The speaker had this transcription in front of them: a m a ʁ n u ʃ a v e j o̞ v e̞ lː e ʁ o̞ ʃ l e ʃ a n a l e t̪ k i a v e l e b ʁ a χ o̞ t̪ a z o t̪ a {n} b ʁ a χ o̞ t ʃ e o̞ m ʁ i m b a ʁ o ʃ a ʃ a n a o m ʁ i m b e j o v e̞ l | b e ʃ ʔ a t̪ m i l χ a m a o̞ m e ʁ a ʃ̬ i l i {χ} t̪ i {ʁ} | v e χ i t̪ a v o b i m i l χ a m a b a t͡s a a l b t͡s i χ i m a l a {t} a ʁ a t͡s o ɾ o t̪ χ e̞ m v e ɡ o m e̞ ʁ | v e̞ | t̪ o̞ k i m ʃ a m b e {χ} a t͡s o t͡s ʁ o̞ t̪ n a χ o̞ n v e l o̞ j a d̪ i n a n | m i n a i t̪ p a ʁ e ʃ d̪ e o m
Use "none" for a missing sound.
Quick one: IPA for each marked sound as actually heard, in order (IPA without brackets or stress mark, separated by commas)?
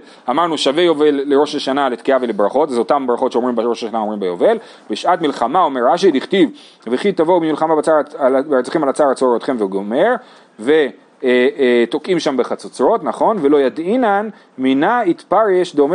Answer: m, χ, v, t͡s, χ